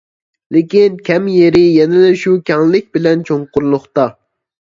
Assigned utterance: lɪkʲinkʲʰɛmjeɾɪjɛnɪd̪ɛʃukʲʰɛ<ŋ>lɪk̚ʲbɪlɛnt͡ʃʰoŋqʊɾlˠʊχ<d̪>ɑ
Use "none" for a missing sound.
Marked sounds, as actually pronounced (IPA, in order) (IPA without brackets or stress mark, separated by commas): ŋ, t̪